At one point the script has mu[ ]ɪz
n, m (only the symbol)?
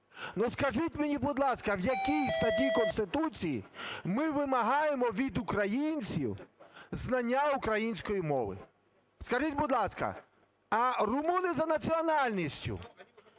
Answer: n